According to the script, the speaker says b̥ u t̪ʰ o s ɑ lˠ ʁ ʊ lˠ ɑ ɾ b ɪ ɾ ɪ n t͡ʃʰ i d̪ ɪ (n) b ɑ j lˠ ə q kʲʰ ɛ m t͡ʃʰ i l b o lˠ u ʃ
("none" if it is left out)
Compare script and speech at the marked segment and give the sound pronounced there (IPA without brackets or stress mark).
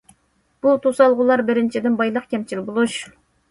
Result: n